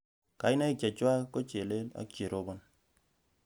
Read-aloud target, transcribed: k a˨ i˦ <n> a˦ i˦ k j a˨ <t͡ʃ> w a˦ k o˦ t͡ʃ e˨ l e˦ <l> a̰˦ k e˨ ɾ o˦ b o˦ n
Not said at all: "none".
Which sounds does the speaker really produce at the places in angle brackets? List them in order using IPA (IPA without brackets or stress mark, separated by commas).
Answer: n, t͡ʃ, l